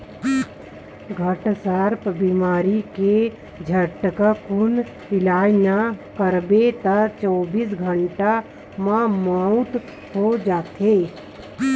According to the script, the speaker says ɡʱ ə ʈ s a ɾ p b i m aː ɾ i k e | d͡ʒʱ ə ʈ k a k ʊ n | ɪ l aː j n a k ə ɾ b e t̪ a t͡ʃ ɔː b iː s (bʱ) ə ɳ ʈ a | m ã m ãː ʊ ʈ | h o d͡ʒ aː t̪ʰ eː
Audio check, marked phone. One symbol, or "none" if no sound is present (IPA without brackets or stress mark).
ɡʱ